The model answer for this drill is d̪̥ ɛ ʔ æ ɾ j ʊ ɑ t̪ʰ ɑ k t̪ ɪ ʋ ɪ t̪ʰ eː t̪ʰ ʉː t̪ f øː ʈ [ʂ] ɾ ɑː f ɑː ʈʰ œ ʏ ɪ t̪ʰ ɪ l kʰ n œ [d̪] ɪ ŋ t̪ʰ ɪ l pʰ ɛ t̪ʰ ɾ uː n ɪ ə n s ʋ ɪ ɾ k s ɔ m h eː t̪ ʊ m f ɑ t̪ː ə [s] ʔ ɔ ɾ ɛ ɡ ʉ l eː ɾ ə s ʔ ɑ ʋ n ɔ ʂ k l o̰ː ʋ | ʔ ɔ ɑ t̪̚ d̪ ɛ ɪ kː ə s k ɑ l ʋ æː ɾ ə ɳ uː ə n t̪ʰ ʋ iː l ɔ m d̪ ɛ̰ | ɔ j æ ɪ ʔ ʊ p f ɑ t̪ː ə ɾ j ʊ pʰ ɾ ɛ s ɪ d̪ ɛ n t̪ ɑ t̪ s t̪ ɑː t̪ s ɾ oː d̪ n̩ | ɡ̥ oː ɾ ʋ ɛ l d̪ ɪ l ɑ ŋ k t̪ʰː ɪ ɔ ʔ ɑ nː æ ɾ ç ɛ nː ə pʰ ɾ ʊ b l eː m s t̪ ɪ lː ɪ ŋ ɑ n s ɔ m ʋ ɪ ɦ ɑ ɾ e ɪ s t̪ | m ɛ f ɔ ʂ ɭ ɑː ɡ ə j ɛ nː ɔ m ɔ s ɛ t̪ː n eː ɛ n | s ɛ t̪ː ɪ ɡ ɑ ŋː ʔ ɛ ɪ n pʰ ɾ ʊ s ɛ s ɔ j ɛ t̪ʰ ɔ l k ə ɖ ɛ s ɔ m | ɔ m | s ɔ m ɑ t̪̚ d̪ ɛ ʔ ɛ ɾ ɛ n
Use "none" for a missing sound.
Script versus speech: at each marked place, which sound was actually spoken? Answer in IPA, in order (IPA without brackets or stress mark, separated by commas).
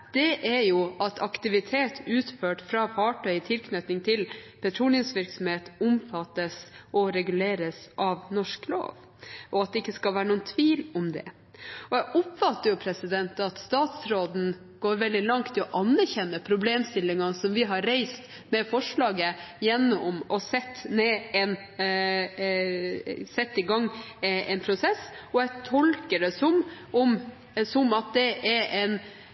f, t̪, s